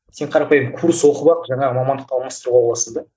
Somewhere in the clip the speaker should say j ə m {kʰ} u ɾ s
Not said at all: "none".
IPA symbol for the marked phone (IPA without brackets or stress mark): kʰ